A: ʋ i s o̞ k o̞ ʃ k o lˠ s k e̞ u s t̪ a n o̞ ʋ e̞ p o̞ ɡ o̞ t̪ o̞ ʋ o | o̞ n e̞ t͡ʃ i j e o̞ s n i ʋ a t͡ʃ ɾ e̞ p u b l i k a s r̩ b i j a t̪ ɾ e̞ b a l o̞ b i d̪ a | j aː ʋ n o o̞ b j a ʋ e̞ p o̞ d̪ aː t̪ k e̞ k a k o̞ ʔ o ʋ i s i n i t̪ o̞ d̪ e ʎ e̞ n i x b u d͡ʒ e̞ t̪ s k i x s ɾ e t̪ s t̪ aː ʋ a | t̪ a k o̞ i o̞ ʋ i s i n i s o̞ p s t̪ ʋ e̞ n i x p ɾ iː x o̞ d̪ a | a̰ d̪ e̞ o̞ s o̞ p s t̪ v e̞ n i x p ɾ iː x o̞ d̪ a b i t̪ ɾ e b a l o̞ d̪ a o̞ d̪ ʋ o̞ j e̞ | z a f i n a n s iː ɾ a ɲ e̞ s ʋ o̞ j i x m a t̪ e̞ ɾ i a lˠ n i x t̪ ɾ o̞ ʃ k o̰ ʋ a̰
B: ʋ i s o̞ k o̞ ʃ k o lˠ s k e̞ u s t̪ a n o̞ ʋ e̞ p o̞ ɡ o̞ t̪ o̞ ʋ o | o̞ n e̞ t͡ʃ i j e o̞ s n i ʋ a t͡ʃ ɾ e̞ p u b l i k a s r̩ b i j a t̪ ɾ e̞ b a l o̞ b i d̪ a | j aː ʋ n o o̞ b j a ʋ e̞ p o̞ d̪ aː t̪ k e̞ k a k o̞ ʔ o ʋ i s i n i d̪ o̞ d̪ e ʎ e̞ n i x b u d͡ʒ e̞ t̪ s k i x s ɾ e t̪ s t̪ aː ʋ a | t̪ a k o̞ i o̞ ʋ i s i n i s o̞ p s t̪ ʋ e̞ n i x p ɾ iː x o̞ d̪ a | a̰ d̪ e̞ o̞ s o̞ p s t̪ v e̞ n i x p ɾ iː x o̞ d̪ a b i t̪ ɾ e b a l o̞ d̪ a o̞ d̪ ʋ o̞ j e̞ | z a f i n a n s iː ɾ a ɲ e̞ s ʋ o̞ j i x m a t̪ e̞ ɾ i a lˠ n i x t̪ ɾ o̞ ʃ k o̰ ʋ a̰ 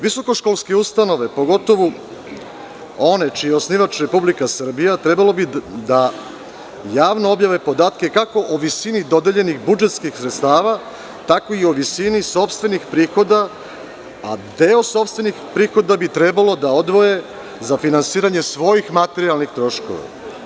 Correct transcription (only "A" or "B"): B